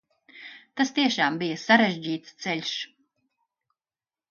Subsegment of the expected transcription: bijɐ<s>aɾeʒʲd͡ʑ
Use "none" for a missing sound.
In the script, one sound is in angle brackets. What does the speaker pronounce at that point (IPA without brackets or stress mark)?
s